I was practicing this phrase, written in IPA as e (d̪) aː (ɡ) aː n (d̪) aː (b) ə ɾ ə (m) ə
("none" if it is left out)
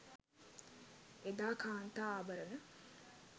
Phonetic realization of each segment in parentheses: d̪, k, t̪, b, n

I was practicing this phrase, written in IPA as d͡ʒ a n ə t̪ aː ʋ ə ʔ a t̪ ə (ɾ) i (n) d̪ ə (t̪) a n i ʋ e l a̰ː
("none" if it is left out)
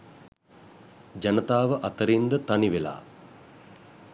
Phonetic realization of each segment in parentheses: ɾ, n, t̪

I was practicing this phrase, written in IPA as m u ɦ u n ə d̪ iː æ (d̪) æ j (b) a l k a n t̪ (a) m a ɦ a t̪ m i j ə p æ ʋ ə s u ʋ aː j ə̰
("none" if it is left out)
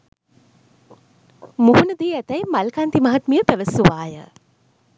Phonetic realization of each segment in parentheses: t̪, m, i

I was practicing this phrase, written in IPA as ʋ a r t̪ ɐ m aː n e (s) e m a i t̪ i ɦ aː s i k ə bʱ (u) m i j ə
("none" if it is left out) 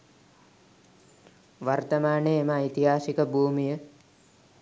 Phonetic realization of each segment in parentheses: none, uː

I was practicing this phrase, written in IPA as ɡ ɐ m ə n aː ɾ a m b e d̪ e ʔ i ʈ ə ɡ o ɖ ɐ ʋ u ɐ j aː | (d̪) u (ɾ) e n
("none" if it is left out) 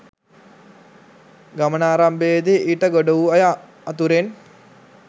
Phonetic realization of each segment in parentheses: t̪, ɾ

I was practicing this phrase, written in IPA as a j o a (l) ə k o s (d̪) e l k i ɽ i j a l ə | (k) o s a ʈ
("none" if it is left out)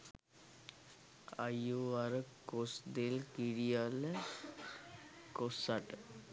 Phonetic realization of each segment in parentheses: ɾ, d̪, k

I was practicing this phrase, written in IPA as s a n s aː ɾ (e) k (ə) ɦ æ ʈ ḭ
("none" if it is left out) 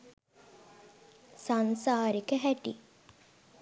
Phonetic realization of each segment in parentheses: i, ə

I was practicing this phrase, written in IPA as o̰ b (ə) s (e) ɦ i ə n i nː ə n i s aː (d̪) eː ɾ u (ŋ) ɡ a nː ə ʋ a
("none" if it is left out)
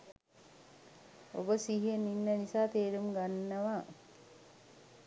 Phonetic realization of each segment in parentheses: ə, i, t̪, m

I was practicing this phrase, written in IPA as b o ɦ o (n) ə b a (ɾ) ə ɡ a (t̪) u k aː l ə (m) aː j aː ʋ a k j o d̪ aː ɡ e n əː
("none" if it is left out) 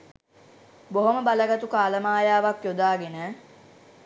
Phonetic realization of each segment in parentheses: m, l, t̪, m

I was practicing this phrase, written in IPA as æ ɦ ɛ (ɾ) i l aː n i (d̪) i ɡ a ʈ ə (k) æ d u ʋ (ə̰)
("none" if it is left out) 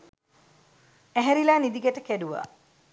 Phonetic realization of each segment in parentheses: ɾ, d̪, k, a̰

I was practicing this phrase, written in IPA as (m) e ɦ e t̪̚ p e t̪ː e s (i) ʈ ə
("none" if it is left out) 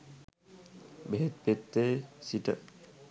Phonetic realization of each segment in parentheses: b, i

